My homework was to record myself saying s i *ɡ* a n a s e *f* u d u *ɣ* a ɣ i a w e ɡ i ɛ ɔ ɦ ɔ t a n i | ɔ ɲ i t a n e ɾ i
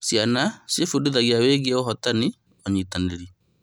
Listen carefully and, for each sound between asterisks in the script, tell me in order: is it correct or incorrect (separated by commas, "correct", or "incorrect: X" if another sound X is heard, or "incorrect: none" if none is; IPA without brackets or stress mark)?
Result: incorrect: none, correct, incorrect: ð